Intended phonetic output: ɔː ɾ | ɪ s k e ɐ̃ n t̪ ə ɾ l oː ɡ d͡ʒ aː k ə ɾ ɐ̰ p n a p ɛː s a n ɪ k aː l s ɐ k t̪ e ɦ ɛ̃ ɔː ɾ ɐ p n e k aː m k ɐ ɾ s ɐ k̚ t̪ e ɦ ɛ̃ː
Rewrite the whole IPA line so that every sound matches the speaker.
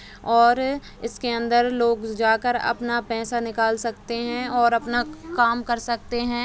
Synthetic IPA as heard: ɔː ɾ | ɪ s k e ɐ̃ n d̪ ə ɾ l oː ɡ d͡ʒ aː k ə ɾ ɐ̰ p n a p ɛː s a n ɪ k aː l s ɐ k t̪ e ɦ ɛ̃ ɔː ɾ ɐ p n a k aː m k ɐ ɾ s ɐ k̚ t̪ e ɦ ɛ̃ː

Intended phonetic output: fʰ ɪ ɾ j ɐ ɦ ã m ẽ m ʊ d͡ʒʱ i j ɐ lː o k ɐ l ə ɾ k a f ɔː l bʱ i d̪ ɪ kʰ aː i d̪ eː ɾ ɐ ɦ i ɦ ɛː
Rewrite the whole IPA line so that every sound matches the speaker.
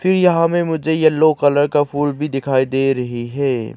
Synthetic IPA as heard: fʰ ɪ ɾ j ɐ ɦ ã m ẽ m ʊ d͡ʒʱ e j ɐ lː o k ɐ l ə ɾ k a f uː l bʱ i d̪ ɪ kʰ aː i d̪ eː ɾ ɐ ɦ i ɦ ɛː

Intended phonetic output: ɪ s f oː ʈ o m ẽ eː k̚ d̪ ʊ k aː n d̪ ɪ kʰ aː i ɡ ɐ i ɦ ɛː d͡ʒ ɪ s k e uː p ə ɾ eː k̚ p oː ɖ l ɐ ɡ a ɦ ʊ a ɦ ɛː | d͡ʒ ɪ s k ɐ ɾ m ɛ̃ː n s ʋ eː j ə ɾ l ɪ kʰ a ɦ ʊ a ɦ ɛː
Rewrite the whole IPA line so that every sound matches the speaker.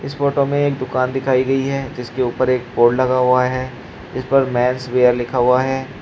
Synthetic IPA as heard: ɪ s f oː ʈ o m ẽ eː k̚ d̪ ʊ k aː n d̪ ɪ kʰ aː i ɡ ɐ i ɦ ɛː d͡ʒ ɪ s k e uː p ə ɾ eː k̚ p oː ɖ l ɐ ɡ a ɦ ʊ a ɦ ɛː | d͡ʒ ɪ s p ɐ ɾ m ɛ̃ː n s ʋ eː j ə ɾ l ɪ kʰ a ɦ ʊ a ɦ ɛː

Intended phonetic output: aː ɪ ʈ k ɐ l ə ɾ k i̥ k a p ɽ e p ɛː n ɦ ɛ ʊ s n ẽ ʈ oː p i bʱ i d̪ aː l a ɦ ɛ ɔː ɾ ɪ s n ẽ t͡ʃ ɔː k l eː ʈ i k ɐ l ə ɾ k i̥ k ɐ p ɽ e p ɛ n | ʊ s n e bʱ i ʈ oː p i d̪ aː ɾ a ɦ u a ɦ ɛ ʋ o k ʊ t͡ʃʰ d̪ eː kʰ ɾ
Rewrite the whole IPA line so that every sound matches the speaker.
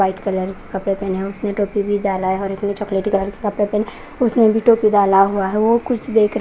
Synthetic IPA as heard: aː ɪ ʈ k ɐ l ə ɾ k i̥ k ɐ p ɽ e p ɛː n ɦ ɛ ʊ s n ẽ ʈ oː p i bʱ i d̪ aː l a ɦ ɛ ɔː ɾ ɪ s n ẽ t͡ʃ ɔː k l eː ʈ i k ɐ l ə ɾ k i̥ k ɐ p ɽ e p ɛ n | ʊ s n e bʱ i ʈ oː p i d̪ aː l a ɦ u a ɦ ɛ ʋ o k ʊ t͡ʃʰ d̪ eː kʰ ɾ

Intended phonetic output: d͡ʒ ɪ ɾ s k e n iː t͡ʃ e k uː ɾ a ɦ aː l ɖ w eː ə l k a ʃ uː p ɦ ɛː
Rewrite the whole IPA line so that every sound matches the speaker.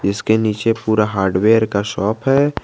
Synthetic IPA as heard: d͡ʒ ɪ s k e n iː t͡ʃ e p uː ɾ a ɦ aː ɾ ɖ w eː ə ɾ k a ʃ ɔː p ɦ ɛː

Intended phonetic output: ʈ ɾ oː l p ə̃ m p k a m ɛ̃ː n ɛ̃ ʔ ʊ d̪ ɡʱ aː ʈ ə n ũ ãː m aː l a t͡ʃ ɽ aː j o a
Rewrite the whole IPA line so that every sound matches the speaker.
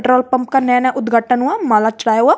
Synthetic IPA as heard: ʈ ɾ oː l p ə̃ m p k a n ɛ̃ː n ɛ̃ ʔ ʊ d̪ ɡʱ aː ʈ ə n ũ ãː m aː l a t͡ʃ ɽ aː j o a

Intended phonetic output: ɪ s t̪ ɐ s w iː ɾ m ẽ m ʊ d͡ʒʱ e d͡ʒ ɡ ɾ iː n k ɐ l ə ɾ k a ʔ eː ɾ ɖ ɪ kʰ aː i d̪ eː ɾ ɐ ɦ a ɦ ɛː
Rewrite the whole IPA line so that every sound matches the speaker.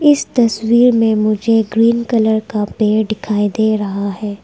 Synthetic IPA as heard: ɪ s t̪ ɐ s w iː ɾ m ẽ m ʊ d͡ʒʱ e d͡ʒ ɡ ɾ iː n k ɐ l ə ɾ k a p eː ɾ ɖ ɪ kʰ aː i d̪ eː ɾ ɐ ɦ a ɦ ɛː

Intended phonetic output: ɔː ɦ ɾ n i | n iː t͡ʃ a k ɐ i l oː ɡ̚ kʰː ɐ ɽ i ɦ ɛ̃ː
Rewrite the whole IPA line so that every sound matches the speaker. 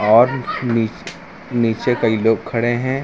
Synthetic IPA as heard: ɔː ɾ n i | n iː t͡ʃ e k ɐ i l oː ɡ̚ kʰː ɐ ɽ e ɦ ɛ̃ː

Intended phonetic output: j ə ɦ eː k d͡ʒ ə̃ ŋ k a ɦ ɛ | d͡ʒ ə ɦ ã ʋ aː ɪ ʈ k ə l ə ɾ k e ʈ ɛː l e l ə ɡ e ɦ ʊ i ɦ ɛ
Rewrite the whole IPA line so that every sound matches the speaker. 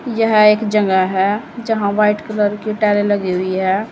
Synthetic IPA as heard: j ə ɦ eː k d͡ʒ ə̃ ŋ ɡ a ɦ ɛ | d͡ʒ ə ɦ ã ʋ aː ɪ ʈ k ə l ə ɾ k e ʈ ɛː l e l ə ɡ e ɦ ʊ i ɦ ɛ

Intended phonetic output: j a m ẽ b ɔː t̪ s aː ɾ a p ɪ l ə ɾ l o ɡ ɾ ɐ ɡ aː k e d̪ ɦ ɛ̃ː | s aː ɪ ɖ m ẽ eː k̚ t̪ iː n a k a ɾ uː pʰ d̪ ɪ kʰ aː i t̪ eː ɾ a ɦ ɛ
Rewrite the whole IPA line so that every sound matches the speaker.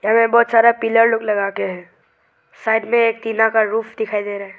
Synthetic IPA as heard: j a m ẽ b ɔː t̪ s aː ɾ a p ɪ l ə ɾ l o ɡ l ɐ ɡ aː k e ɦ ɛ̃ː | s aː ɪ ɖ m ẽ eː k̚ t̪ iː n a k a ɾ uː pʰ d̪ ɪ kʰ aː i d̪ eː ɾ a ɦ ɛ

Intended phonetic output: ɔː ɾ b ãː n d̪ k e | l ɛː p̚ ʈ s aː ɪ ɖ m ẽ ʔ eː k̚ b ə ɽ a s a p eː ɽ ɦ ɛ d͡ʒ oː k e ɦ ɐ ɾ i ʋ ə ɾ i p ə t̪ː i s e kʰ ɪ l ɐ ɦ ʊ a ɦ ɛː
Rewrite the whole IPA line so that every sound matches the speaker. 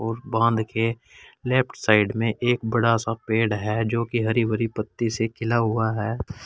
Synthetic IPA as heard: ɔː ɾ b ãː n d̪ k e | l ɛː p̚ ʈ s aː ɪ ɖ m ẽ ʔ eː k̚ b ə ɽ a s a p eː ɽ ɦ ɛ d͡ʒ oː k i ɦ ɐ ɾ i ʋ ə ɾ i p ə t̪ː i s e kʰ ɪ l a ɦ ʊ a ɦ ɛː

